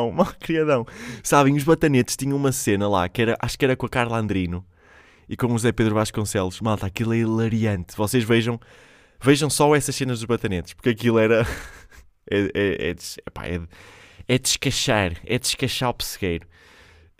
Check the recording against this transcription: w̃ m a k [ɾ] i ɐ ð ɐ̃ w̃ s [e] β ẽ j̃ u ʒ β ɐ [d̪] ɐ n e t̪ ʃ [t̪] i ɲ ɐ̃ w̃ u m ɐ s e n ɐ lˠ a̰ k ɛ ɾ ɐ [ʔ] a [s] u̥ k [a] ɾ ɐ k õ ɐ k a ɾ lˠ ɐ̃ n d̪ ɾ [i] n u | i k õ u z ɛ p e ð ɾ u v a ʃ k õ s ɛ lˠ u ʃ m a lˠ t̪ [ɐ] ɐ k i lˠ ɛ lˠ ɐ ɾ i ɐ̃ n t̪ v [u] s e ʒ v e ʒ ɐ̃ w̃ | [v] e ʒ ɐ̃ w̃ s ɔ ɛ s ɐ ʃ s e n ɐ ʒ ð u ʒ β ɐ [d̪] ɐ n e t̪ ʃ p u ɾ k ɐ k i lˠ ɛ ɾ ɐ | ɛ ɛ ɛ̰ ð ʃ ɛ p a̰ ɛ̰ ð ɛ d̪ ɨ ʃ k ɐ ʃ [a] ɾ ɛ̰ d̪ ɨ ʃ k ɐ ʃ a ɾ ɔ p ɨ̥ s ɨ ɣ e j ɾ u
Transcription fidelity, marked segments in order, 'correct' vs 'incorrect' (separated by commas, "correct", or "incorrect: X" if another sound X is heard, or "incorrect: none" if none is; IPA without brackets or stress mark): correct, incorrect: a, incorrect: t̪, correct, correct, incorrect: ʃ, incorrect: ɛ, correct, incorrect: a, incorrect: ɔ, correct, incorrect: t̪, correct